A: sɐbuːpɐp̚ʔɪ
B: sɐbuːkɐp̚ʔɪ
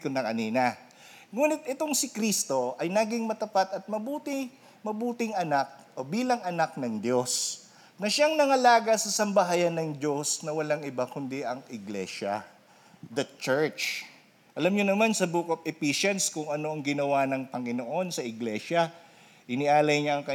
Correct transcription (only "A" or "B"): B